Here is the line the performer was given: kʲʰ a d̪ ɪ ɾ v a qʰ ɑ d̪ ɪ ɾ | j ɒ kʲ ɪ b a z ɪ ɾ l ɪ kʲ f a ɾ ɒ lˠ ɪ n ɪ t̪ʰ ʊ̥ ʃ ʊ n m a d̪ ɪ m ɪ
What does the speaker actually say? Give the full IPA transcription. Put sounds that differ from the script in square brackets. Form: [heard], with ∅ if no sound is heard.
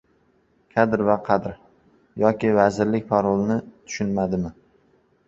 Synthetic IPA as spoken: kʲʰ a d̪ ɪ ɾ v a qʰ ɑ d̪ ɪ ɾ | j ɒ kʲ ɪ [v] a z ɪ ɾ l ɪ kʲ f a ɾ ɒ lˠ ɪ n ɪ t̪ʰ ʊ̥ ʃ ʊ n m a d̪ ɪ m ɪ